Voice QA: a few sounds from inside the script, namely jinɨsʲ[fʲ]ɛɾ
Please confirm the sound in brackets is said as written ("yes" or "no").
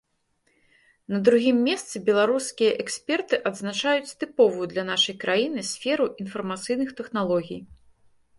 yes